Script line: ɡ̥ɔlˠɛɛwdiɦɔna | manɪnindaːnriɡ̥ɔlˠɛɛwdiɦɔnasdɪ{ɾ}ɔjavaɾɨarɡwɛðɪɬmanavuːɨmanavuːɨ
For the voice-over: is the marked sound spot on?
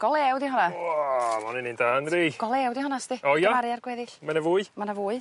no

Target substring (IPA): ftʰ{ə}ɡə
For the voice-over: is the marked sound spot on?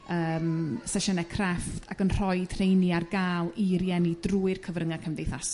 no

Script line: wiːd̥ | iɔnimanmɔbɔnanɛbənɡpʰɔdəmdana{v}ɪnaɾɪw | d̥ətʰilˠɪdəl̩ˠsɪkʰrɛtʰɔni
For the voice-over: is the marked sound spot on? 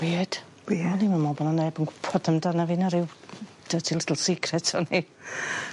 yes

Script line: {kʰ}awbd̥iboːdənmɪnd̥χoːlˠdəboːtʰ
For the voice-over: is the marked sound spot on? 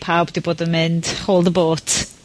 no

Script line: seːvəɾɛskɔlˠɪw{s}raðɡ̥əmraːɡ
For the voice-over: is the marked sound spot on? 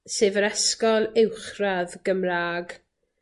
no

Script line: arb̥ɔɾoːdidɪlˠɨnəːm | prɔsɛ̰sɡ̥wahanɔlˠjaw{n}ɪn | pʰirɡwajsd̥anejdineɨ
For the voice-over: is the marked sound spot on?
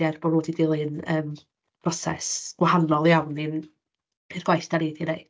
yes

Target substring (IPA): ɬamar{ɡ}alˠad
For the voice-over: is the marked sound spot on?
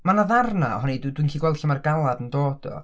yes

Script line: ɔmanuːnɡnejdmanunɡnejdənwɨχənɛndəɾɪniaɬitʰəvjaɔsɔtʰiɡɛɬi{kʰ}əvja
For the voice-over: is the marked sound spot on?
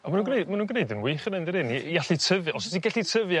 no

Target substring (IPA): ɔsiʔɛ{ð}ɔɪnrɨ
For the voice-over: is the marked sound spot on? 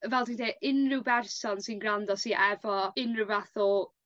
no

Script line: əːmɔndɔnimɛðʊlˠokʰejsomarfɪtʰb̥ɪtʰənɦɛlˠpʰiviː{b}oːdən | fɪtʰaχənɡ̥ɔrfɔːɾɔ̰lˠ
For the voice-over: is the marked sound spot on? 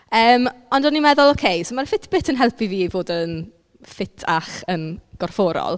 no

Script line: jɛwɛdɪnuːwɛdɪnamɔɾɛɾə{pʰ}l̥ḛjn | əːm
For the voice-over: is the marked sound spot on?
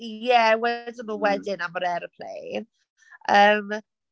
yes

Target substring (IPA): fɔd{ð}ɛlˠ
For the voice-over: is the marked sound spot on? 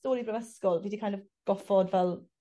no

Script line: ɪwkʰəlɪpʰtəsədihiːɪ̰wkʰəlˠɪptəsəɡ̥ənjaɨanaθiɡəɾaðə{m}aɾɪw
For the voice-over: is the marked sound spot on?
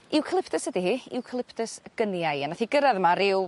yes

